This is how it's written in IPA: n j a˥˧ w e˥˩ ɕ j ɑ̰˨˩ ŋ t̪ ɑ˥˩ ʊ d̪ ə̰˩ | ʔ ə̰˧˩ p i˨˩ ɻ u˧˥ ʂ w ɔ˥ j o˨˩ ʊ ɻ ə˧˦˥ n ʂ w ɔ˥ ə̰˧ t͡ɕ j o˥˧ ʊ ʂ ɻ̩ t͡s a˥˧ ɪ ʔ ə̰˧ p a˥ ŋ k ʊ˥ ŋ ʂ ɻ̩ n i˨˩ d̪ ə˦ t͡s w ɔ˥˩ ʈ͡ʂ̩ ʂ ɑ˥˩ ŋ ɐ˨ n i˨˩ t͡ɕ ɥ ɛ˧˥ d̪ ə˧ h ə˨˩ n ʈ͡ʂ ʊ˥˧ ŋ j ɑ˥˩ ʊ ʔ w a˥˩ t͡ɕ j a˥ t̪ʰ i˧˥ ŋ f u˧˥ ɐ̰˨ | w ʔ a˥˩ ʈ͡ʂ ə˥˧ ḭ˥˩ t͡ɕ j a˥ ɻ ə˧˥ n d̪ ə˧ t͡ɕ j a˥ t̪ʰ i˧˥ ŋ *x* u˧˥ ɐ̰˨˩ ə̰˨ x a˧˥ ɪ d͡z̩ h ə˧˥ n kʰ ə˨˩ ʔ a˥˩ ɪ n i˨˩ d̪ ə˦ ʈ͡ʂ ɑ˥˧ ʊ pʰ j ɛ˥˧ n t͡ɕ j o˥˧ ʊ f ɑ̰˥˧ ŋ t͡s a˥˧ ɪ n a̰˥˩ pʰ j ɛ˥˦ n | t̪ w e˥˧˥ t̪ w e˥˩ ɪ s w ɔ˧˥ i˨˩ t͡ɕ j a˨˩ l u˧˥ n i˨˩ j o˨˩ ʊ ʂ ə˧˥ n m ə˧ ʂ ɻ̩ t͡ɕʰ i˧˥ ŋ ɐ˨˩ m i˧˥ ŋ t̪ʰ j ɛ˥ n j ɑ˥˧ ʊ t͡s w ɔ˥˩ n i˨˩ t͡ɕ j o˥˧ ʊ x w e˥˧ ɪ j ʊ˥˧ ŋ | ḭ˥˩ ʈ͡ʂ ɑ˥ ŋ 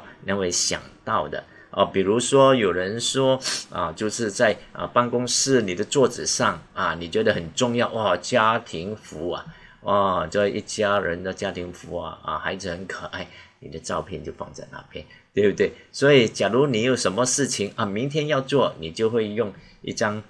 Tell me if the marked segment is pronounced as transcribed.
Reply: no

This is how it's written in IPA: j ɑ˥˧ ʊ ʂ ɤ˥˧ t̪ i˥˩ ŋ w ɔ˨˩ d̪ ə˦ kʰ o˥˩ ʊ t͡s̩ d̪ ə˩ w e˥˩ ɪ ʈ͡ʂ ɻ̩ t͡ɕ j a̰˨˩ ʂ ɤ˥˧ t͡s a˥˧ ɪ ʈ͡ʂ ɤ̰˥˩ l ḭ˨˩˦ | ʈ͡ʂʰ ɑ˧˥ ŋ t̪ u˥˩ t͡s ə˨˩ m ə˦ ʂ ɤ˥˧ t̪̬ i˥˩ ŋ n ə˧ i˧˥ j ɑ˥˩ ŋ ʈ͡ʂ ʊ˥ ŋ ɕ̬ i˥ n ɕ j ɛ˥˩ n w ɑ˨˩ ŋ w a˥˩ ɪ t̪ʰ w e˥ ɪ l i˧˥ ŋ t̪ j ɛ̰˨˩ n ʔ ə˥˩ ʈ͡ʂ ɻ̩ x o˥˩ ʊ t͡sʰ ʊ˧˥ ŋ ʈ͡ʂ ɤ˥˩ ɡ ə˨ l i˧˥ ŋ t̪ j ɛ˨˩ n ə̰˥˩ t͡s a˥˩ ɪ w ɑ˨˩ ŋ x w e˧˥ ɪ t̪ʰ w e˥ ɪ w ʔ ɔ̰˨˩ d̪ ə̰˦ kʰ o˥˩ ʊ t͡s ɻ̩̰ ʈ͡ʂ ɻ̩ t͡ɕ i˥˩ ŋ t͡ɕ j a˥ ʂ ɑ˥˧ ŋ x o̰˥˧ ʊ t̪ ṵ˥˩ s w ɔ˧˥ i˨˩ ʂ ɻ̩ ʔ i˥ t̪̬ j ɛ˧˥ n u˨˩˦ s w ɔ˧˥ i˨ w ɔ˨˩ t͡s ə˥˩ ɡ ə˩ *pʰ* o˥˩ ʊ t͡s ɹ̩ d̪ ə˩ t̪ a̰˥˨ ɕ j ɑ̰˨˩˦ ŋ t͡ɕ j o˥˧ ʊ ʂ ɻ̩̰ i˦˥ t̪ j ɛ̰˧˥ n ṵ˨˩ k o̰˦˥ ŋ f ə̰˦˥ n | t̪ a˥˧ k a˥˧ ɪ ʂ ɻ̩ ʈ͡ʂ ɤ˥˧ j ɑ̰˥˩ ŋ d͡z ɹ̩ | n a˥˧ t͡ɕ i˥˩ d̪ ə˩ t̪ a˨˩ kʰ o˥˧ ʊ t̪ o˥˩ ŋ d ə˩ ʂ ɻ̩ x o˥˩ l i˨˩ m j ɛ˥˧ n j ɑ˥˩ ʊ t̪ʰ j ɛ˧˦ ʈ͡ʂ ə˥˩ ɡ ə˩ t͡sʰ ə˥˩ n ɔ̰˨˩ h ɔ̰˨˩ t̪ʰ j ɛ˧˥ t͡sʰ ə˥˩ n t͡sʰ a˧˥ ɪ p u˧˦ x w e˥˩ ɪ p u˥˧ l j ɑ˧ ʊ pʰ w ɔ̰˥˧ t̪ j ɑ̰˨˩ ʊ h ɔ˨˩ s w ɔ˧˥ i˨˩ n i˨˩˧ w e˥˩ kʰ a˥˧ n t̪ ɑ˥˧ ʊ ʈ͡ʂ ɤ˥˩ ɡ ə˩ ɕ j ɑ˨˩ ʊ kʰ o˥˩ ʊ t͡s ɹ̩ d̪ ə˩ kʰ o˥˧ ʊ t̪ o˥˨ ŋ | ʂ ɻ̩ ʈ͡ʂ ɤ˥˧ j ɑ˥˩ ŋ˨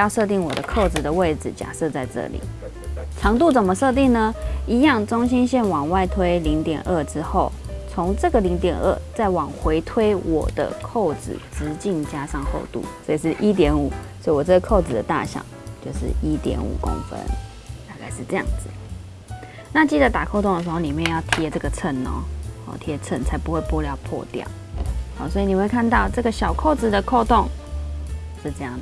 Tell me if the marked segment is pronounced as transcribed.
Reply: no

